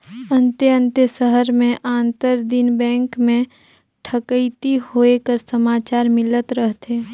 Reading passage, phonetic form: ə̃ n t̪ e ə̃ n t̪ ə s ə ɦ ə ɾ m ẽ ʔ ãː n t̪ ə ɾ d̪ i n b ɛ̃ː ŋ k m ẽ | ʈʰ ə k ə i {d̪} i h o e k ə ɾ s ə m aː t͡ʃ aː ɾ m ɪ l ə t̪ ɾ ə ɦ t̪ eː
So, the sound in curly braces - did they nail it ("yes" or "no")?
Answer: no